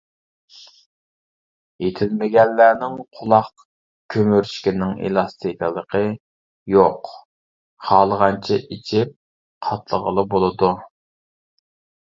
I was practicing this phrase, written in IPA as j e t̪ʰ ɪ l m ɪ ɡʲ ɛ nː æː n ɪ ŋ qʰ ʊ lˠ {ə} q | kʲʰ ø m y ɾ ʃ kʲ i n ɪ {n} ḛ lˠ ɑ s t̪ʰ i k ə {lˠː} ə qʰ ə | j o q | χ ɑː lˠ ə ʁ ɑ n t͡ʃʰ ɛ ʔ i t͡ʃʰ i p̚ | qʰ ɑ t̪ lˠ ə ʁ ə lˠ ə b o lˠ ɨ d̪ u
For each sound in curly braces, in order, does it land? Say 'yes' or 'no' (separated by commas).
no, no, no